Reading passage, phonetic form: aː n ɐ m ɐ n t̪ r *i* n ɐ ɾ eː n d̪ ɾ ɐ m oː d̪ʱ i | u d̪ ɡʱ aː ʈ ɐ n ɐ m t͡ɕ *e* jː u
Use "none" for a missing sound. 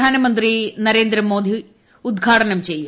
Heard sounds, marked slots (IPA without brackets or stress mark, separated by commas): i, e